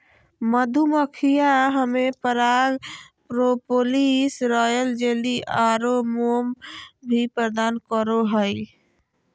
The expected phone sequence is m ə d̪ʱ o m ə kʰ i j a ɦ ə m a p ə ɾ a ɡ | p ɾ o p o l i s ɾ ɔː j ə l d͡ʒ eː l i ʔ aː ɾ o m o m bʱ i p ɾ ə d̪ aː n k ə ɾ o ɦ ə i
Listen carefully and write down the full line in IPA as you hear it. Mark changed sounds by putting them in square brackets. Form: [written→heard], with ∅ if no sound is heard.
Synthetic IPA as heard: m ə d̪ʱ [o→u] m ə kʰ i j a ɦ ə m [a→e] p ə ɾ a ɡ | p ɾ o p o l i s ɾ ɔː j ə l d͡ʒ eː l i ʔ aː ɾ o m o m bʱ i p ɾ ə d̪ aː n k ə ɾ o ɦ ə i

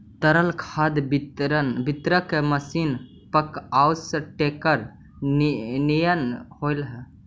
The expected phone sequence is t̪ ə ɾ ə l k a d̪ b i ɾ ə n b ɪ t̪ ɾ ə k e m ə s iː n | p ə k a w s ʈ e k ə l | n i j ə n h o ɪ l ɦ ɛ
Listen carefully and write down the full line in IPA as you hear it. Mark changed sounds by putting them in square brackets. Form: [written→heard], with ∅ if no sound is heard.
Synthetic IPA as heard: t̪ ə ɾ ə l [k→kʰ] a d̪ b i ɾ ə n b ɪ t̪ ɾ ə k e m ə s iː n | p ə k a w s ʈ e k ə [l→ɾ] | n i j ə n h o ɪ l ɦ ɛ

